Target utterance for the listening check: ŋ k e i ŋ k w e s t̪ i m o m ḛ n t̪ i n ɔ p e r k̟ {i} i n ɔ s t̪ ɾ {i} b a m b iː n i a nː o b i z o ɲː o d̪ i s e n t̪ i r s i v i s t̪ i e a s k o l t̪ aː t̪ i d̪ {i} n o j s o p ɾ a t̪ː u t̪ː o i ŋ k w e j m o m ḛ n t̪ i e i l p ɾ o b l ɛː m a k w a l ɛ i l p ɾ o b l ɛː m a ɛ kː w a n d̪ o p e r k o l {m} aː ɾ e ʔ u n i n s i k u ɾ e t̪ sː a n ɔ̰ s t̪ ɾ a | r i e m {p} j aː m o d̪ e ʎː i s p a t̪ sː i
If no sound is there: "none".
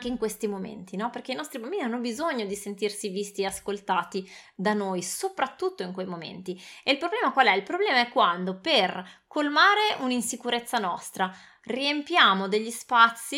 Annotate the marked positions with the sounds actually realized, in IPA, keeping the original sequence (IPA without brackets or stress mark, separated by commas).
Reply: e, i, a, m, p